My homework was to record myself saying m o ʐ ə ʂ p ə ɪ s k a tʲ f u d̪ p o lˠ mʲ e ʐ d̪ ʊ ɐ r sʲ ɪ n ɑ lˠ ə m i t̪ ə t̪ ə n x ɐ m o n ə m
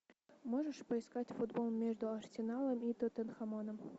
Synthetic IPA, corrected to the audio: m o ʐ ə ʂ p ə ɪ s k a tʲ f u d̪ b o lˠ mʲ e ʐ d̪ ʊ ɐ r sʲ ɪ n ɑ lˠ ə m i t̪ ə t̪ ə n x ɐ m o n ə m

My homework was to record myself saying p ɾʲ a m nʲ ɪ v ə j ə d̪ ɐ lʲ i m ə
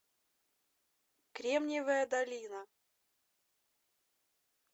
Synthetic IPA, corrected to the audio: k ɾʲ e m nʲ ɪ v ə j ə d̪ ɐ lʲ i n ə

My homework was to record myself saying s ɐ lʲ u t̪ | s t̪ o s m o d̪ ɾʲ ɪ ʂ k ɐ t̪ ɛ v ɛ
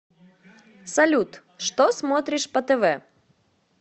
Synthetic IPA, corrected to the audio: s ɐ lʲ u t̪ | ʂ t̪ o s m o t̪ ɾʲ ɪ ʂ p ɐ t̪ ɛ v ɛ

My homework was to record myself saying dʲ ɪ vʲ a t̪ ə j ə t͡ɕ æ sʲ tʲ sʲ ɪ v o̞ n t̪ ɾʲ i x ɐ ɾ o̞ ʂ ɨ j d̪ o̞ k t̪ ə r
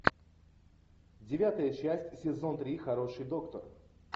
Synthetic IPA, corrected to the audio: dʲ ɪ vʲ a t̪ ə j ə t͡ɕ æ sʲ tʲ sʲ ɪ z o̞ n t̪ ɾʲ i x ɐ ɾ o̞ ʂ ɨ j d̪ o̞ k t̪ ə r

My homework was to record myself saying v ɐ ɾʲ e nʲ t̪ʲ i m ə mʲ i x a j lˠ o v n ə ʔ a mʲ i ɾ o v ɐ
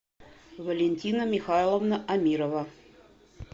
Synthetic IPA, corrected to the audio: v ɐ lʲ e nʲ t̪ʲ i n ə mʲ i x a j lˠ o v n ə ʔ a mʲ i ɾ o v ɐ

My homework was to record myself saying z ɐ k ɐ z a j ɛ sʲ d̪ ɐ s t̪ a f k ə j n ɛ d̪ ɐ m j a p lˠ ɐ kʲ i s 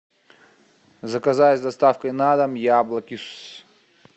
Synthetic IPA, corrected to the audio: z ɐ k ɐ z a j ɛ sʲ d̪ ɐ s t̪ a f k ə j n a d̪ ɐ m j a b lˠ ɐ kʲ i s

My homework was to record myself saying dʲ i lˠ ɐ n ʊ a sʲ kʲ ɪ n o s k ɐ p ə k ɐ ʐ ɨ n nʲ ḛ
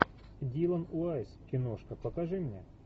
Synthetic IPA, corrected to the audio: dʲ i lˠ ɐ n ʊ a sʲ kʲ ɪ n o ʂ k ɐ p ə k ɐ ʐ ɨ m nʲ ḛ

